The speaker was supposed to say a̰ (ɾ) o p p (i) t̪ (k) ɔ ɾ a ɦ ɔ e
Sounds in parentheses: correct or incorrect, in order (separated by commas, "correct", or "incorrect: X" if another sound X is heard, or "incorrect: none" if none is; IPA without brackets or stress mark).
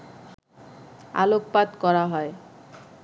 incorrect: l, incorrect: a, correct